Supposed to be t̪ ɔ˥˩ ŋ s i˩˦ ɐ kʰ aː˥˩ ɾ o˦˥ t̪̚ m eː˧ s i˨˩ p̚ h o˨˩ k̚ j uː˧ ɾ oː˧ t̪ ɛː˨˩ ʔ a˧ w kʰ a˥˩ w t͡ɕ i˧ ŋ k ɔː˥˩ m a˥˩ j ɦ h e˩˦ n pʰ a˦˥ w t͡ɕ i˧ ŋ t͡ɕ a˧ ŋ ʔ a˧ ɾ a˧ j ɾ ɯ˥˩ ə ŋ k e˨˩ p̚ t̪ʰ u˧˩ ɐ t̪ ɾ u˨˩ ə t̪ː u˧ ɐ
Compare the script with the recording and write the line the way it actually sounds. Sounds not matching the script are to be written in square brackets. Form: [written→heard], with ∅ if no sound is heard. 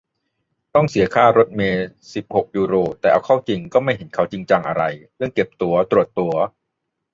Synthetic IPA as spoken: t̪ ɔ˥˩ ŋ s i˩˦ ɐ kʰ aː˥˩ ɾ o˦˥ t̪̚ m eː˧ s i˨˩ p̚ h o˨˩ k̚ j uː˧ ɾ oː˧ t̪ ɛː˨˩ ʔ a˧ w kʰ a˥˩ w t͡ɕ i˧ ŋ k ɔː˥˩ m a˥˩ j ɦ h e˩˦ n [pʰ→kʰ] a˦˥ w t͡ɕ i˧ ŋ t͡ɕ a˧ ŋ ʔ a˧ ɾ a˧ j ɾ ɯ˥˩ ə ŋ k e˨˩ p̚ [t̪ʰ→t̪] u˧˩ ɐ t̪ ɾ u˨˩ ə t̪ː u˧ ɐ